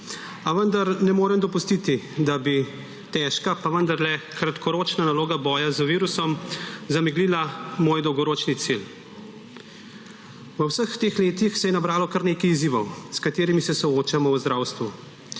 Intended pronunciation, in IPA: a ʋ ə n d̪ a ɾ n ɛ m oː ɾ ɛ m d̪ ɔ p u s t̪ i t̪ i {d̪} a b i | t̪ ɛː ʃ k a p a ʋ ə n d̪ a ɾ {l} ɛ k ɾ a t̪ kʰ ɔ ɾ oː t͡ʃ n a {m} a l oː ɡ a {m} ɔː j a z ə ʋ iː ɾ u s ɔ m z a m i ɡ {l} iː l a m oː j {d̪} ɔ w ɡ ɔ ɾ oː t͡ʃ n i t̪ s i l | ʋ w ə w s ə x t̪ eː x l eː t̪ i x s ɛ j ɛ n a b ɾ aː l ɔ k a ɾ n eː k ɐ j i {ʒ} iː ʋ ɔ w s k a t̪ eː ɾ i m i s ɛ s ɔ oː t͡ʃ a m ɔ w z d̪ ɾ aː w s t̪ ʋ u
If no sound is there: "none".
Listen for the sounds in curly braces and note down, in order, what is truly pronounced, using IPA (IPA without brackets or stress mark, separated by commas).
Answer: d̪, l, n, b, l, d̪, z